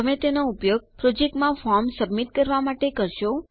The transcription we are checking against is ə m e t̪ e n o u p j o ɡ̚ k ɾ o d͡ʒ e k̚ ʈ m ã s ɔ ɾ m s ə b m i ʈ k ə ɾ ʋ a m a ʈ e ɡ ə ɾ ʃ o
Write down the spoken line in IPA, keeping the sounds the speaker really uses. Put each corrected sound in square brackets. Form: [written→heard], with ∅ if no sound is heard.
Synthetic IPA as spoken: ə m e t̪ e n o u p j o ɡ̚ [k→p] ɾ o d͡ʒ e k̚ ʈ m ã [s→f] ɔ ɾ m s ə b m i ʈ k ə ɾ ʋ a m a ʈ e [ɡ→k] ə ɾ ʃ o